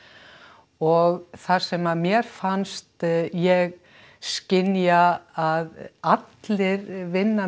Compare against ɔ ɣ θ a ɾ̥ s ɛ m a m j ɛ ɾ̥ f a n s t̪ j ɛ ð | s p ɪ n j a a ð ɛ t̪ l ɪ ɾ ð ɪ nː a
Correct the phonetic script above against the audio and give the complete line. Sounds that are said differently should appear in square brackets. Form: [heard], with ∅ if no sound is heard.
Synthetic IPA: ɔ ɣ θ a ɾ̥ s ɛ m a m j ɛ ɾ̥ f a n s t̪ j ɛ [ɣ] | s [c] ɪ n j a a ð [a] t̪ l ɪ ɾ [v] ɪ nː a